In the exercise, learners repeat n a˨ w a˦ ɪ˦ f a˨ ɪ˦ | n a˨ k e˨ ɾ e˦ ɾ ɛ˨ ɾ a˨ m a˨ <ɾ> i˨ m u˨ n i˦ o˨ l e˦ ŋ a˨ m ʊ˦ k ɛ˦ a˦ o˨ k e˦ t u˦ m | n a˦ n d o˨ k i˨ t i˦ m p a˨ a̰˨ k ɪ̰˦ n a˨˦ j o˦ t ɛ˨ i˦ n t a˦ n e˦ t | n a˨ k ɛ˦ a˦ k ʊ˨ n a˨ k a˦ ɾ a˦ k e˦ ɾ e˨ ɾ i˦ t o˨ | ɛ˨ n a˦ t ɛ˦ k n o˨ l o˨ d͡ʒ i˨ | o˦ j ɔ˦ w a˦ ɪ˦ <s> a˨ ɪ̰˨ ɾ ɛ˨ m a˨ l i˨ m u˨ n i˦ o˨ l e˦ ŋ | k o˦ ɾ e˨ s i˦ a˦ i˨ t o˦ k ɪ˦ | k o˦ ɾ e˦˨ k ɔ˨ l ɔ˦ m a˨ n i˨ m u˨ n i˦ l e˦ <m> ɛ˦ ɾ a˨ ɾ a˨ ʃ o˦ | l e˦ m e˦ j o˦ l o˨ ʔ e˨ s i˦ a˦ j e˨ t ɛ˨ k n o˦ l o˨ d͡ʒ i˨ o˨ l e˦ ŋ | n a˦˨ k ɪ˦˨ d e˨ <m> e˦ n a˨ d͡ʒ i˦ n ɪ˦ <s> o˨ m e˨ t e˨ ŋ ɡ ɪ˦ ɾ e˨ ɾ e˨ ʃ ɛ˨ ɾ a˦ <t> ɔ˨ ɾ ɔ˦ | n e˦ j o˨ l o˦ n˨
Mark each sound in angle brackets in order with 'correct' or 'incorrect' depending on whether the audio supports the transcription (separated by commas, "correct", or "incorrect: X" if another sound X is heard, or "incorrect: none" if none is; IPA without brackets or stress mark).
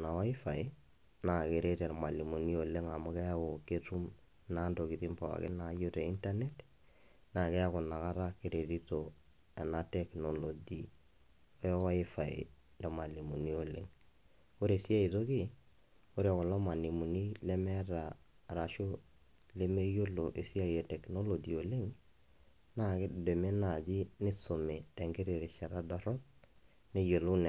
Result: incorrect: l, incorrect: f, correct, correct, correct, incorrect: d